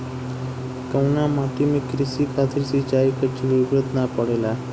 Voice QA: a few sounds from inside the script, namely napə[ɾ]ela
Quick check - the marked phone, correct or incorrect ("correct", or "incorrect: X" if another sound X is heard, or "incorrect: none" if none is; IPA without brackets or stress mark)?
incorrect: ɽ